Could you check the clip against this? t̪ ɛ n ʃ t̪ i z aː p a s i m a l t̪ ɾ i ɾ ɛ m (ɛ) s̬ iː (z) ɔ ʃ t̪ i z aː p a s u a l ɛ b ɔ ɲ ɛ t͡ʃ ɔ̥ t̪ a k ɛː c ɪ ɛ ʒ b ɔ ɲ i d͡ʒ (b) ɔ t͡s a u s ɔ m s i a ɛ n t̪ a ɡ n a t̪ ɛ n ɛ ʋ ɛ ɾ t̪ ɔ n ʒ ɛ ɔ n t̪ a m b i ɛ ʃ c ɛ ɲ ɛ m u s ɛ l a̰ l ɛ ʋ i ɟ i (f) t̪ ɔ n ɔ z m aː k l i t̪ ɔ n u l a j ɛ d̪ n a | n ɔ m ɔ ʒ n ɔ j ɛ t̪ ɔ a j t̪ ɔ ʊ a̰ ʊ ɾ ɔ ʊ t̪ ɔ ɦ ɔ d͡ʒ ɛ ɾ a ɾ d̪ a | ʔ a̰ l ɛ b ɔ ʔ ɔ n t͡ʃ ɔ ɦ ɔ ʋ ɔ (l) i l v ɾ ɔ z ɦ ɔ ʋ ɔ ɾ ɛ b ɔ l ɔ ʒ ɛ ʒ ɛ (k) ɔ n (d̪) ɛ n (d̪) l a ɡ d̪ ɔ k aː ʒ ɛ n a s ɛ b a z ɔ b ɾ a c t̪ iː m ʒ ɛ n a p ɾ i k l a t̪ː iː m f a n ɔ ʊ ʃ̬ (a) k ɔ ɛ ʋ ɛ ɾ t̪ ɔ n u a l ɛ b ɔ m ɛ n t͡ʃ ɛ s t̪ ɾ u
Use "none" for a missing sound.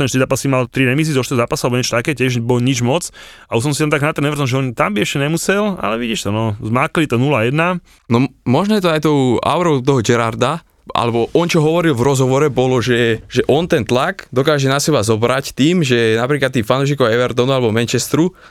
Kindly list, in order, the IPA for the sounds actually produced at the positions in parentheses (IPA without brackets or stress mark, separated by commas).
i, z, m, ʃ, ɾ, ʔ, t̪, t̪, i